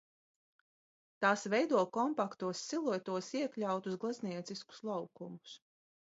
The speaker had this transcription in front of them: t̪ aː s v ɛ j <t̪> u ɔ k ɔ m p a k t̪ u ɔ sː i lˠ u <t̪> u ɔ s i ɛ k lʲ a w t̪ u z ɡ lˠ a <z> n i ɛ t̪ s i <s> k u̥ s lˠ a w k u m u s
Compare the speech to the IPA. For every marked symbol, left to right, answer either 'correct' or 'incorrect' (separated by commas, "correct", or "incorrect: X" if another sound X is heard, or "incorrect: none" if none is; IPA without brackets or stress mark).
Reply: incorrect: d̪, correct, correct, correct